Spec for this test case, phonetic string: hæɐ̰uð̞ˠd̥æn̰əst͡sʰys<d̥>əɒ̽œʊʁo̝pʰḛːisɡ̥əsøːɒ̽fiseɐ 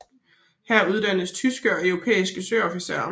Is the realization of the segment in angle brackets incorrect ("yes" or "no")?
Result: yes